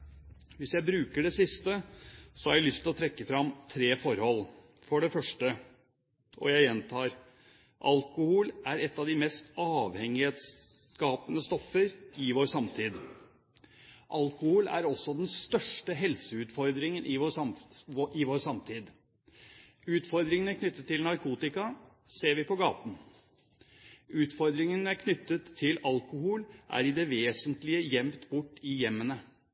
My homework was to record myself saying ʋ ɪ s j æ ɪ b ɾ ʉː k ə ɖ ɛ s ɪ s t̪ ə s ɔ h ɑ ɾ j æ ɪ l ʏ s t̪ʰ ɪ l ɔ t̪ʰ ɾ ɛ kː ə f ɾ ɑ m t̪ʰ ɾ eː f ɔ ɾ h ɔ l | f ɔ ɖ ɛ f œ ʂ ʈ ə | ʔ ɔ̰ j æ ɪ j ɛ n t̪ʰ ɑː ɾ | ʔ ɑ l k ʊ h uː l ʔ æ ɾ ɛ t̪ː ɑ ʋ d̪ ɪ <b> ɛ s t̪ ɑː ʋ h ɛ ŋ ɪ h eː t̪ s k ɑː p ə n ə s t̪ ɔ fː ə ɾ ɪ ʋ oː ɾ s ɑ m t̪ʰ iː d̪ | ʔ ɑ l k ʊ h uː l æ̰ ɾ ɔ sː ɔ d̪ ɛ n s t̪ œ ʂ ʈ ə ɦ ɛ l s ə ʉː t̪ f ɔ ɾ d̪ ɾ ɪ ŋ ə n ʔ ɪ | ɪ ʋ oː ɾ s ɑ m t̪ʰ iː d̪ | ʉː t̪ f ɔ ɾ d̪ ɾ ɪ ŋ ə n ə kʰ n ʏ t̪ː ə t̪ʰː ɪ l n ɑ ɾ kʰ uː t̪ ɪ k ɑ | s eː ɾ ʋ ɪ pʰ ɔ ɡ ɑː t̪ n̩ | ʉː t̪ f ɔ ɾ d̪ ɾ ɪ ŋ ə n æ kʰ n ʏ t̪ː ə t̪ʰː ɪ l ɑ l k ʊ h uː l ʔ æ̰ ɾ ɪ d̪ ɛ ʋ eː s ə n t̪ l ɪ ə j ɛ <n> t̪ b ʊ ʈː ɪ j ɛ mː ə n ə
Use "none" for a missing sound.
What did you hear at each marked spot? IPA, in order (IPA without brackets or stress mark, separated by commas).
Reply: m, m